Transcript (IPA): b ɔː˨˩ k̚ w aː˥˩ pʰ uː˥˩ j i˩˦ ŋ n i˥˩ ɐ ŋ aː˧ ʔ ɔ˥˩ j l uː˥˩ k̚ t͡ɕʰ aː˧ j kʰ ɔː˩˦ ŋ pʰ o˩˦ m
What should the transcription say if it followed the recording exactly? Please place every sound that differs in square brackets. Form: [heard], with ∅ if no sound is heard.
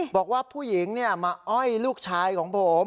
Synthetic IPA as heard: b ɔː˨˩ k̚ w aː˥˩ pʰ uː˥˩ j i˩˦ ŋ n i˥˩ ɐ [m] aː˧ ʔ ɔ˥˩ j l uː˥˩ k̚ t͡ɕʰ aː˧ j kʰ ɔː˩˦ ŋ pʰ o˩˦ m